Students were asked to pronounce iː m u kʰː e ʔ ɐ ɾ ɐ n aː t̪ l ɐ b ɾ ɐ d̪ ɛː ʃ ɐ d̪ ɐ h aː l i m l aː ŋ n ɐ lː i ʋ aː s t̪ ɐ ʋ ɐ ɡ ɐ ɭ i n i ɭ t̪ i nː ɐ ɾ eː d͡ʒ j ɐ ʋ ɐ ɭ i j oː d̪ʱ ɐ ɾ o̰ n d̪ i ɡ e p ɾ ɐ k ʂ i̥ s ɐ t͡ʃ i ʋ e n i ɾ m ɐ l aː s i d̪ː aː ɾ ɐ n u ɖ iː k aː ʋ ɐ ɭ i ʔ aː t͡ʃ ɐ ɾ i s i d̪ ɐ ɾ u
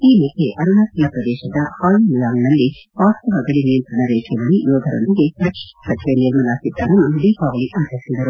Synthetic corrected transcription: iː m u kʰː e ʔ ɐ ɾ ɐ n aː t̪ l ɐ p ɾ ɐ d̪ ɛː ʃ ɐ d̪ ɐ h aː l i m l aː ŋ n ɐ lː i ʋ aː s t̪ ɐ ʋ ɐ ɡ ɐ ɭ i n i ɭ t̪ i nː ɐ ɾ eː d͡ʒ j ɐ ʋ ɐ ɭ i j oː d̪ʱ ɐ ɾ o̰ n d̪ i ɡ e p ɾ ɐ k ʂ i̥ s ɐ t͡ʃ i ʋ e n i ɾ m ɐ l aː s i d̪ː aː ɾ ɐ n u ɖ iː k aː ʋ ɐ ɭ i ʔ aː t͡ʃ ɐ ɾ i s i d̪ ɐ ɾ u